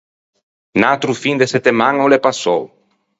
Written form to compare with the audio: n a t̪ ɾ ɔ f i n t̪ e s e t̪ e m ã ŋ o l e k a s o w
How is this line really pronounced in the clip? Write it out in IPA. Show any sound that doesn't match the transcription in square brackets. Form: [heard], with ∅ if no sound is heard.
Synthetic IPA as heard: n a t̪ ɾ [u] f i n [d̪] e s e t̪ e m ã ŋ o l e [p] a s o w